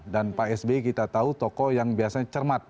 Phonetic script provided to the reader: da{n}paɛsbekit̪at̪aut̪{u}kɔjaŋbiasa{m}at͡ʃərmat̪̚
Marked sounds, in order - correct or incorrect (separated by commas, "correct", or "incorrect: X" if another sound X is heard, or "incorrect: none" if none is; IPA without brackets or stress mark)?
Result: correct, incorrect: ɔ, incorrect: ɲ